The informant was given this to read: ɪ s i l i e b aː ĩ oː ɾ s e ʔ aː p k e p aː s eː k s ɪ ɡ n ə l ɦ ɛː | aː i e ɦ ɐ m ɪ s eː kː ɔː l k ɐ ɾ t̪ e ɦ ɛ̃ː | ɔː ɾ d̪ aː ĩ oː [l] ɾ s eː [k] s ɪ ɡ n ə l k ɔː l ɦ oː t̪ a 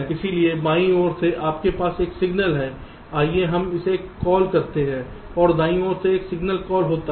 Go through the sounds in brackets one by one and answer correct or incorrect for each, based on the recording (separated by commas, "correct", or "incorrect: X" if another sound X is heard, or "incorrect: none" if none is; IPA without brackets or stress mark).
incorrect: none, correct